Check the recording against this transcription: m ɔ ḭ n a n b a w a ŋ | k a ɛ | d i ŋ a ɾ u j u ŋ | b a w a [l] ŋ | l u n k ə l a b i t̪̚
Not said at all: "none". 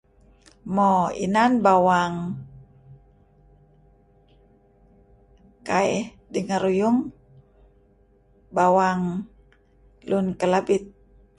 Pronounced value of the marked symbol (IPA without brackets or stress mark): none